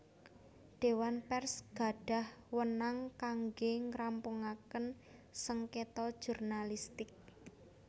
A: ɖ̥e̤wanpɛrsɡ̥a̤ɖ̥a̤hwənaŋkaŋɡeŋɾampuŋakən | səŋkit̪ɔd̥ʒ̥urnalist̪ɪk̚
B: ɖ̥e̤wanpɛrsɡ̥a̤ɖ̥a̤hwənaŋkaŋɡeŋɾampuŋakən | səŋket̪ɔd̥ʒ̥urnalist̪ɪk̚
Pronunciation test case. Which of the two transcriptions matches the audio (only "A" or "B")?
B